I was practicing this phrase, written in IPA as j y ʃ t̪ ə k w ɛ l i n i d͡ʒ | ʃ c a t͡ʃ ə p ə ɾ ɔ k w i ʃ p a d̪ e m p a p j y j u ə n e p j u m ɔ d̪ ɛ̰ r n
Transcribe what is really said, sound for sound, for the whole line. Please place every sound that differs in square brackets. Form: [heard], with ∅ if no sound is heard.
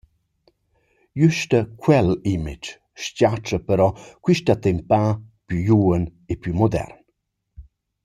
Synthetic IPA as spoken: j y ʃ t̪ ə k w ɛ l i [m] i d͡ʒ | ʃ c a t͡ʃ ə p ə ɾ ɔ k w i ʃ [t] a [t̪] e m p a p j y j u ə n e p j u m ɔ d̪ ɛ̰ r n